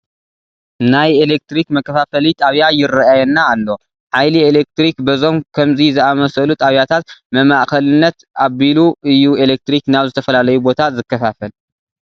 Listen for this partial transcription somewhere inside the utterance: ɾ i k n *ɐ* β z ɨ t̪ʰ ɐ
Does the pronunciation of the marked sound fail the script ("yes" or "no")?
yes